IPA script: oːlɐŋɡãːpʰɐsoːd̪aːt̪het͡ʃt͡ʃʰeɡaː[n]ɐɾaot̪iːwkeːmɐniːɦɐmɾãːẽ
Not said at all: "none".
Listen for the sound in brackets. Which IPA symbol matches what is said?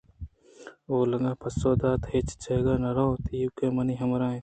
n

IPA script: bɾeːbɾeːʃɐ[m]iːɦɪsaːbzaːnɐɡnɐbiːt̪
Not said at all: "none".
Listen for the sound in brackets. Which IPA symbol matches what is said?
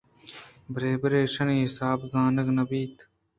n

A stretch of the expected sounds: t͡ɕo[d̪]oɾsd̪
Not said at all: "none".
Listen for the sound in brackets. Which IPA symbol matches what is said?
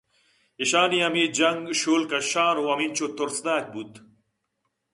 t̪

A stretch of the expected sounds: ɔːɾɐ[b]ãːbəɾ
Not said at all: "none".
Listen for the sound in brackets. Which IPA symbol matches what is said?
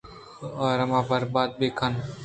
m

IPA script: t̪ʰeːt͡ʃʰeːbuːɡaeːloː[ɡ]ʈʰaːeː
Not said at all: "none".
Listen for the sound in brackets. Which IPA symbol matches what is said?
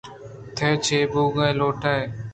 none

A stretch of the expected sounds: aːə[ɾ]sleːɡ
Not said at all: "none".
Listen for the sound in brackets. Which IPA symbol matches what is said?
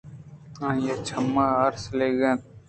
ɾ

